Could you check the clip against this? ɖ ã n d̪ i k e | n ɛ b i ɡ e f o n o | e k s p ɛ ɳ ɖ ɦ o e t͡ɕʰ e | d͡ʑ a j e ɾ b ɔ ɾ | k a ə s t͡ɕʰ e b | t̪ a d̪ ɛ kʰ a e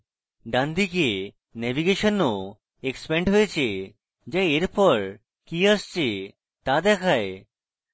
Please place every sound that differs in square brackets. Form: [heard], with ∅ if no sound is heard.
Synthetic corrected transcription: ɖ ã n d̪ i k e | n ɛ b i ɡ e [ʃ] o n o | e k s p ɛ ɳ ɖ ɦ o e t͡ɕʰ e | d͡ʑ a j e ɾ [p] ɔ ɾ | k [i] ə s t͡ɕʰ e [∅] | t̪ a d̪ ɛ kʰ a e